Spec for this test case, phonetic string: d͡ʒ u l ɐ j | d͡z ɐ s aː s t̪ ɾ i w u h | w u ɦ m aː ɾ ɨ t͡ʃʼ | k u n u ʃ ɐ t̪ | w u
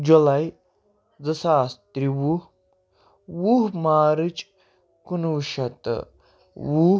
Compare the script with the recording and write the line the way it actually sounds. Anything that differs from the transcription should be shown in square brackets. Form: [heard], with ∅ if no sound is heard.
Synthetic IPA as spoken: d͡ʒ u l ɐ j | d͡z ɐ s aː s t̪ ɾ i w u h | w u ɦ m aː ɾ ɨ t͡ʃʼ | k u n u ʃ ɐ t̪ | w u